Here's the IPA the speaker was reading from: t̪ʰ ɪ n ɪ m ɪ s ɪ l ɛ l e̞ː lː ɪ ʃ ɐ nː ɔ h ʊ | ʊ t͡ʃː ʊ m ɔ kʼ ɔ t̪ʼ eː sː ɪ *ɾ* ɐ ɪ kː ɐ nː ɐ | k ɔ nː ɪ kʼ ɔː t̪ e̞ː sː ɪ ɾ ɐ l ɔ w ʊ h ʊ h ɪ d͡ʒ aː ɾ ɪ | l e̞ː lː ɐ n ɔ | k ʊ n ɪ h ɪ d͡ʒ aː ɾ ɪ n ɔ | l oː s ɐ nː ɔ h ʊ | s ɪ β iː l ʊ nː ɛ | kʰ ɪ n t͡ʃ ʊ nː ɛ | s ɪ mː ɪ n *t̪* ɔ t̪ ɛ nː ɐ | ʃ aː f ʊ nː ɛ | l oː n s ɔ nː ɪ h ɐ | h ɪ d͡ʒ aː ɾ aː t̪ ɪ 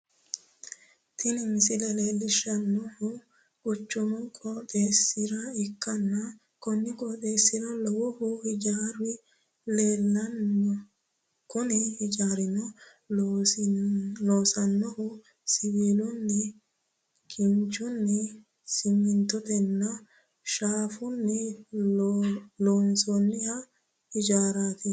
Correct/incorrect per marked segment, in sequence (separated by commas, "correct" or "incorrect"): correct, correct